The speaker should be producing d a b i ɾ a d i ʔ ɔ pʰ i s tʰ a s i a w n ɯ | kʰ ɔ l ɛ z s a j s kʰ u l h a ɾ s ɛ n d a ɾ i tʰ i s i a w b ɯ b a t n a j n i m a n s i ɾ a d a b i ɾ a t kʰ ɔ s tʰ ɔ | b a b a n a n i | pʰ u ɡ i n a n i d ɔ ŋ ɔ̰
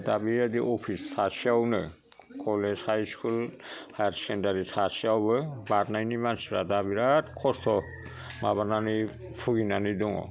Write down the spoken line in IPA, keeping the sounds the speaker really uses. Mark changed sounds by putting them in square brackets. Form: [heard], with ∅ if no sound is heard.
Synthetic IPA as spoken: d a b i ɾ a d i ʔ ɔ pʰ i s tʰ a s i a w n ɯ | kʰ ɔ l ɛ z [h] a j s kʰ u l h a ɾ s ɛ n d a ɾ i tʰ [a] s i a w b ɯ b a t n a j n i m a n s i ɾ a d a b i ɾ a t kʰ ɔ s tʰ ɔ | [m] a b a n a n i | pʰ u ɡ i n a n i d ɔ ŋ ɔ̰